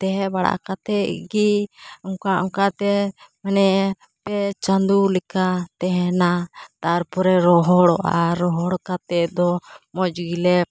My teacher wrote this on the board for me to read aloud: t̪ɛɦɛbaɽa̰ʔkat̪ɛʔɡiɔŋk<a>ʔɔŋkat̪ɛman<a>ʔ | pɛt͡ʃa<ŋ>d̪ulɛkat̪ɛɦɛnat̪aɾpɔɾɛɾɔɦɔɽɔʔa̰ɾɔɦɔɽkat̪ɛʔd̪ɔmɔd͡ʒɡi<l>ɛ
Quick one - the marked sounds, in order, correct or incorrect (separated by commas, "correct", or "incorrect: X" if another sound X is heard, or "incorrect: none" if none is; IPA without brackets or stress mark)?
correct, incorrect: ɛ, incorrect: n, correct